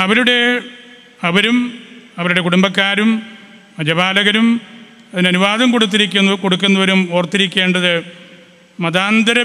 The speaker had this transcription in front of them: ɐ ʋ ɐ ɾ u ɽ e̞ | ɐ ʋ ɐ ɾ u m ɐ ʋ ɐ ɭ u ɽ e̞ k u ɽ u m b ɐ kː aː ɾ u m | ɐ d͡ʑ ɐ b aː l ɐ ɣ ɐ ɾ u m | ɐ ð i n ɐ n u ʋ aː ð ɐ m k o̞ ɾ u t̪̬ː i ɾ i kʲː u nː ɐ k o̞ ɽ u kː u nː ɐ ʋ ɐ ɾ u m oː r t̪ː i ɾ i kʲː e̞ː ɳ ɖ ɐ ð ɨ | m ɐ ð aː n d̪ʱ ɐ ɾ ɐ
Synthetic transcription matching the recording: ɐ ʋ ɐ ɾ u ɽ e̞ | ɐ ʋ ɐ ɾ u m ɐ ʋ ɐ ɾ u ɽ e̞ k u ɽ u m b ɐ kː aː ɾ u m | ɐ d͡ʑ ɐ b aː l ɐ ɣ ɐ ɾ u m | ɐ ð i n ɐ n u ʋ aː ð ɐ m k o̞ ɽ u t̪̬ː i ɾ i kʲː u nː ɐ k o̞ ɽ u kː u nː ɐ ʋ ɐ ɾ u m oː r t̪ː i ɾ i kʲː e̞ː ɳ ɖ ɐ ð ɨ | m ɐ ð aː n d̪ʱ ɐ ɾ ɐ